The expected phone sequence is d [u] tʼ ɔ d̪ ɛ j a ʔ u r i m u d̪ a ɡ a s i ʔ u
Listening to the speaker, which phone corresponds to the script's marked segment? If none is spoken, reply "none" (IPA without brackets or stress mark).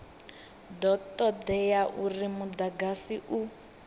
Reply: ɔ